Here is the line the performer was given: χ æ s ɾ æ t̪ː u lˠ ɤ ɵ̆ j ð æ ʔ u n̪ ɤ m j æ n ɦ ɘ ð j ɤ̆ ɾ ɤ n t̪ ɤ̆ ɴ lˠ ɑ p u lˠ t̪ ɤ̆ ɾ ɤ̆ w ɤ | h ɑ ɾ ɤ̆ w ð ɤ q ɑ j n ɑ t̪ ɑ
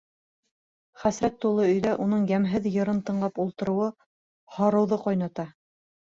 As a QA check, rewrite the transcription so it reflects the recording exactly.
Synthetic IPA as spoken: χ æ s ɾ æ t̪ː u lˠ ɤ ɵ̆ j ð æ ʔ u n̪ ɤ ɴ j æ m ɦ ɘ ð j ɤ̆ ɾ ɤ n t̪ ɤ̆ ɴ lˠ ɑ p u lˠ t̪ ɤ̆ ɾ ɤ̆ w ɤ | h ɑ ɾ ɤ̆ w ð ɤ q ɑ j n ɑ t̪ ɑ